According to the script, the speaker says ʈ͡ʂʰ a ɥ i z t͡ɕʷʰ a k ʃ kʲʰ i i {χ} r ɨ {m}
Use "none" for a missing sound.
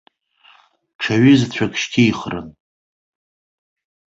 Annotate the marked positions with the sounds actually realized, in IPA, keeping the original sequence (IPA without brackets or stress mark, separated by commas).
χ, n